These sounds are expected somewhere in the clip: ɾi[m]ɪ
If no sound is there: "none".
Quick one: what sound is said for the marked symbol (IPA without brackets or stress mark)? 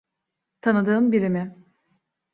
m